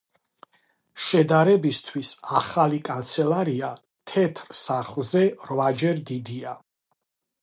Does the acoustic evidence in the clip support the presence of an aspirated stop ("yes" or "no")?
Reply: yes